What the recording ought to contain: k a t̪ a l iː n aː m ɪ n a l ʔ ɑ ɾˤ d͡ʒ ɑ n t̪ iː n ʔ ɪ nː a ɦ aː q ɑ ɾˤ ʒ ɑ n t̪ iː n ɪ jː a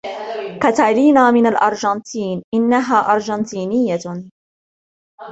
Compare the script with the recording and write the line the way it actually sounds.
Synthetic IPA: k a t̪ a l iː n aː m ɪ n a l ʔ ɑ ɾˤ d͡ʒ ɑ n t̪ iː n ʔ ɪ nː a ɦ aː ʔ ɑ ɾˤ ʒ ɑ n t̪ iː n ɪ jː a